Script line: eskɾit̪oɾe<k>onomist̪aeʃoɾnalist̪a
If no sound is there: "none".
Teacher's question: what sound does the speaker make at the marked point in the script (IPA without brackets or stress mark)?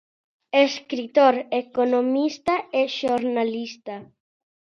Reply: k